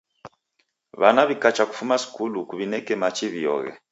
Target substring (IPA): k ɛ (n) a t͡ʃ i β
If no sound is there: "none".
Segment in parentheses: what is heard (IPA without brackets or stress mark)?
m